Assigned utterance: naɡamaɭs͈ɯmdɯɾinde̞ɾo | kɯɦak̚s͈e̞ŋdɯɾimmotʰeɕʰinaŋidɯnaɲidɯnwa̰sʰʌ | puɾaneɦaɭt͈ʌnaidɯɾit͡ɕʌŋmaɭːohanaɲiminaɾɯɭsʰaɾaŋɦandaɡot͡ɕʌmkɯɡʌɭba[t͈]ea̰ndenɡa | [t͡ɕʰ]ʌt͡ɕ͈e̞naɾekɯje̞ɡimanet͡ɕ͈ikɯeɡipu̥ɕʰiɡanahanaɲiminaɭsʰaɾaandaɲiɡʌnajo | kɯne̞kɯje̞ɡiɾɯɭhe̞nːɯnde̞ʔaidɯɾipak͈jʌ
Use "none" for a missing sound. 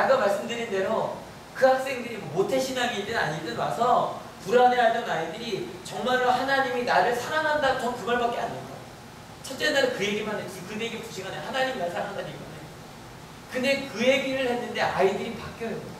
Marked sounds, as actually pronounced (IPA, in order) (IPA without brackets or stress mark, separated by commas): k͈, t͡ɕʰ